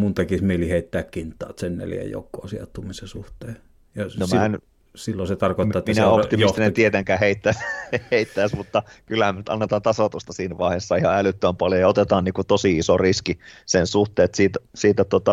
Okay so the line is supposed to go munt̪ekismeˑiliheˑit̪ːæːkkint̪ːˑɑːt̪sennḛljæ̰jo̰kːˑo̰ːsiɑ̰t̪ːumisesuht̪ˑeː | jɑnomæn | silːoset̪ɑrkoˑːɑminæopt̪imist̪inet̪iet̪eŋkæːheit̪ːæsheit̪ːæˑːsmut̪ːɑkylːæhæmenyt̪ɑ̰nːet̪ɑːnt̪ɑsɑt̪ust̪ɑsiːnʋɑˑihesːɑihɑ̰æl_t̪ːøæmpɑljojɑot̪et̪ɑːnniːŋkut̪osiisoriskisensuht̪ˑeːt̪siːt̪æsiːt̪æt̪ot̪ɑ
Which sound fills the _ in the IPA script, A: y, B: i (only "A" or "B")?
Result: A